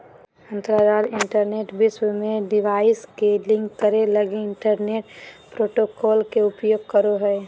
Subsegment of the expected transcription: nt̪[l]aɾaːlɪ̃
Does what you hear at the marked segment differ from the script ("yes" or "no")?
yes